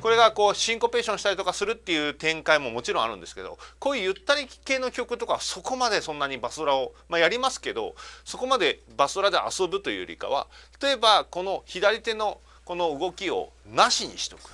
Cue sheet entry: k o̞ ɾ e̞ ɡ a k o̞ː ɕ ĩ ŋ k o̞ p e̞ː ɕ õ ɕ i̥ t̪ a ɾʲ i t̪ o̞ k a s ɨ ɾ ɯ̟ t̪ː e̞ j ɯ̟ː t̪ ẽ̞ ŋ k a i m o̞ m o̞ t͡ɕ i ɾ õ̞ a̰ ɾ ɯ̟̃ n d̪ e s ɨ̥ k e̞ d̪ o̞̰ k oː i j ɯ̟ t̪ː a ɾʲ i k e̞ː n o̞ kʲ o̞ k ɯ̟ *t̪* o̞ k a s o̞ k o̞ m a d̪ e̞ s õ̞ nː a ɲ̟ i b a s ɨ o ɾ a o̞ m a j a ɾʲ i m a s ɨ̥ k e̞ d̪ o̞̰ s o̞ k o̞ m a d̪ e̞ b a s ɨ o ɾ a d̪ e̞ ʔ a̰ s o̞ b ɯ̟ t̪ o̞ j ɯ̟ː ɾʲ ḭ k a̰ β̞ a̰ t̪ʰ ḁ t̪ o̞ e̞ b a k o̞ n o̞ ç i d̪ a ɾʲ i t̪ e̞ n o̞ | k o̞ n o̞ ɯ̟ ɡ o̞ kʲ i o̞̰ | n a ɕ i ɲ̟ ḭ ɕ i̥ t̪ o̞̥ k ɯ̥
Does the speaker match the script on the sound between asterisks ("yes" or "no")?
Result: yes